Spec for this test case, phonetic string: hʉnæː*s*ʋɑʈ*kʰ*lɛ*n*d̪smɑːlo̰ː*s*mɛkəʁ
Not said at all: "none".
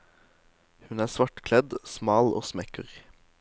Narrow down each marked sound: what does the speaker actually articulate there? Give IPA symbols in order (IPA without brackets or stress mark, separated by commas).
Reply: s, kʰ, none, s